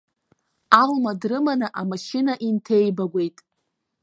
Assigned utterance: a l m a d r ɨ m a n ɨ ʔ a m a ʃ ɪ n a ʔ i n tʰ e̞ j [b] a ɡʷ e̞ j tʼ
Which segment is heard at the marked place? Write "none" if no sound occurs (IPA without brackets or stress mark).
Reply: b